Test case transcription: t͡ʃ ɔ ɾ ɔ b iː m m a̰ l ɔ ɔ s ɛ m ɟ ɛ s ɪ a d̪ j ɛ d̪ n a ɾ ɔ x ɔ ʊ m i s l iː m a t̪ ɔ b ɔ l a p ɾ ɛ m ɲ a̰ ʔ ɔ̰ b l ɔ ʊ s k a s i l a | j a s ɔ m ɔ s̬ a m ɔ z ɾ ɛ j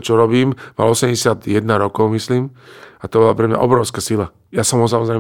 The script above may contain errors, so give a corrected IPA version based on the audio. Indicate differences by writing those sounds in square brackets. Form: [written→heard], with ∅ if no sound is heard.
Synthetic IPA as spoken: t͡ʃ ɔ ɾ ɔ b iː m m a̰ l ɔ ɔ s ɛ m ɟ ɛ s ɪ a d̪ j ɛ d̪ n a ɾ ɔ [x→k] ɔ ʊ m i s l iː m a t̪ ɔ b ɔ l a p ɾ ɛ m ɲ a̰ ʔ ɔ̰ b [l→ɾ] ɔ ʊ s k a s i l a | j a s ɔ m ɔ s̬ a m ɔ z ɾ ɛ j